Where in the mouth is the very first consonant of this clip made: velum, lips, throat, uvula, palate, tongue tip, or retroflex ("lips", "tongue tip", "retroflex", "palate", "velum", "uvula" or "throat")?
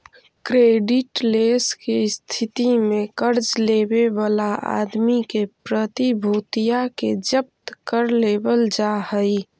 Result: velum